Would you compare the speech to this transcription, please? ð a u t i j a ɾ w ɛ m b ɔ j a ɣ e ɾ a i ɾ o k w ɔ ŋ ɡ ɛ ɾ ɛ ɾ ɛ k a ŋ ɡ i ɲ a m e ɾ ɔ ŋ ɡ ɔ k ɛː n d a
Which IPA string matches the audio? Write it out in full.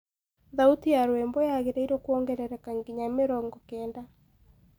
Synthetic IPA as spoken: ð a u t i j a ɾ w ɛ m b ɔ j a ɣ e ɾ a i ɾ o k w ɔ ŋ ɡ ɛ ɾ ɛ ɾ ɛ k a ŋ ɡ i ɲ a m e ɾ ɔ ŋ ɡ ɔ k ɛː n d a